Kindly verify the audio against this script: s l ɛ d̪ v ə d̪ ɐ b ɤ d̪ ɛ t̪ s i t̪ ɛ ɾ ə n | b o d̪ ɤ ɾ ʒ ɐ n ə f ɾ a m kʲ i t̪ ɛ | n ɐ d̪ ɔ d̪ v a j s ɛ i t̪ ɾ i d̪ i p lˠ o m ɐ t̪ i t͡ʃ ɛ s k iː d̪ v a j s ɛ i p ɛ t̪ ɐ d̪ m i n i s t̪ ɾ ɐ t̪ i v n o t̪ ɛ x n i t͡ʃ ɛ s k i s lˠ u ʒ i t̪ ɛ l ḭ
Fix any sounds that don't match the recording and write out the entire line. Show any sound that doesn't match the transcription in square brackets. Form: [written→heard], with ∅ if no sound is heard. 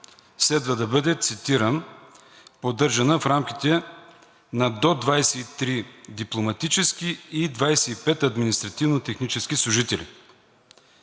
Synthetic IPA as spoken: s l ɛ d̪ v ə d̪ ɐ b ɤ d̪ ɛ t̪ s i t̪ [ɛ→i] ɾ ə n | [b→p] o d̪ ɤ ɾ ʒ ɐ n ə f ɾ a m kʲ i t̪ ɛ | n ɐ d̪ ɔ d̪ v a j s ɛ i t̪ ɾ i d̪ i p lˠ o m ɐ t̪ i t͡ʃ ɛ s k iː d̪ v a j s ɛ i p ɛ t̪ ɐ d̪ m i n i s t̪ ɾ ɐ t̪ i v n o t̪ ɛ x n i t͡ʃ ɛ s k i s lˠ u ʒ i t̪ ɛ l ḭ